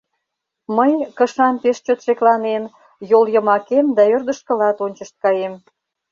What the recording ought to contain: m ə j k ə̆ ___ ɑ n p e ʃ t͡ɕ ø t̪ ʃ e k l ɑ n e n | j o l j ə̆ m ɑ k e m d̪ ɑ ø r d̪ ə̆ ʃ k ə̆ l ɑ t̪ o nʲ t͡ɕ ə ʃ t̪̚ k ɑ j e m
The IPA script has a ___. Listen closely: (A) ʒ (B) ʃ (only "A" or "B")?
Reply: B